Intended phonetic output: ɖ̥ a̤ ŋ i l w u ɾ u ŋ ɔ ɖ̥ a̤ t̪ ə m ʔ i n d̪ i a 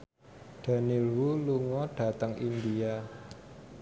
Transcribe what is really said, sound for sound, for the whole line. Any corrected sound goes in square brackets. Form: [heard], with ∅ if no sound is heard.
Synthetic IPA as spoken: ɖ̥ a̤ [n] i l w u [l] u ŋ ɔ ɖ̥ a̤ t̪ ə [ŋ] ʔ i n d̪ i a